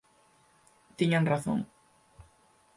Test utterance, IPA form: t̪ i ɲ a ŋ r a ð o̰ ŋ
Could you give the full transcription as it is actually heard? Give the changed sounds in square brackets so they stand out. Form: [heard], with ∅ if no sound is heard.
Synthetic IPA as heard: t̪ i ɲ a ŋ r a [θ] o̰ ŋ